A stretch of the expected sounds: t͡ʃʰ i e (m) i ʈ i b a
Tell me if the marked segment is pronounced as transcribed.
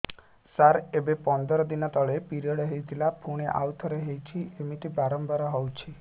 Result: yes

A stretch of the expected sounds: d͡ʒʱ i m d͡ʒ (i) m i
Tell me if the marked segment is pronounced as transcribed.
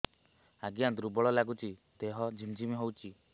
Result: yes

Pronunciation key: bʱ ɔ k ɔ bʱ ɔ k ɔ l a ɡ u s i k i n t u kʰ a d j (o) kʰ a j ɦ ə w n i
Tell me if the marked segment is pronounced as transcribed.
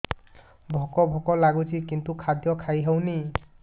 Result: no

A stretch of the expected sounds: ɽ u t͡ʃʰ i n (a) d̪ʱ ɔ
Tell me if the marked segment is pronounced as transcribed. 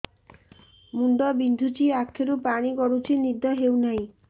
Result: no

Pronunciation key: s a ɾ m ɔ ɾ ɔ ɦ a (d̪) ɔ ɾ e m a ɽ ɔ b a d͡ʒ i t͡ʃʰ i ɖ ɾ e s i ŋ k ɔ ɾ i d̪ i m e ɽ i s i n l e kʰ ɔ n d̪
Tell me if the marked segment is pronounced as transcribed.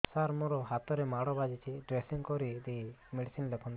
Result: no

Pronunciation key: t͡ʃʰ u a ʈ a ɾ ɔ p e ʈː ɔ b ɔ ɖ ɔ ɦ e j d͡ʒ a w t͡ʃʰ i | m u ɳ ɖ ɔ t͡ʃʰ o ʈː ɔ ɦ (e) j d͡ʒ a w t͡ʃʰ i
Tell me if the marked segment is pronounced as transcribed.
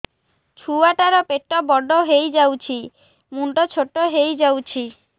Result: yes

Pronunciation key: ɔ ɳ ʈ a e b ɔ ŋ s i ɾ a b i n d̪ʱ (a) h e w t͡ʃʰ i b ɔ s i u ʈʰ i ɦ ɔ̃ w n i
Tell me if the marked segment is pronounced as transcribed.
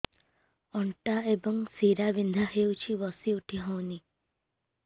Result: yes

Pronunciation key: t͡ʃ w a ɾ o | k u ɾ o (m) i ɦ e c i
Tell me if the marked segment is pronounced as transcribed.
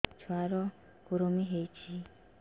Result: yes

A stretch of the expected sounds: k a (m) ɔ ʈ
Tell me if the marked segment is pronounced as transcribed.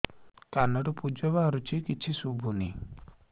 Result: no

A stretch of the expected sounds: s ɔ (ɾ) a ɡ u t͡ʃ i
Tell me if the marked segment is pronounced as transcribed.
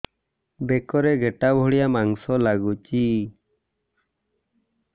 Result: no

